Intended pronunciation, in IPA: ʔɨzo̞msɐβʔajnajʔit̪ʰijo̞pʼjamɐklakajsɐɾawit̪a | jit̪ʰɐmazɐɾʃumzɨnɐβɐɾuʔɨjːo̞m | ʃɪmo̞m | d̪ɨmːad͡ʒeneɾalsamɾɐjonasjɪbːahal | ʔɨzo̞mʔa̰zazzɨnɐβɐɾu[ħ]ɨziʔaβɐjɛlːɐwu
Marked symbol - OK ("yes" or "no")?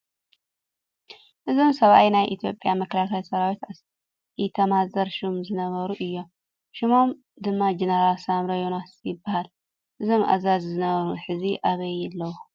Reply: yes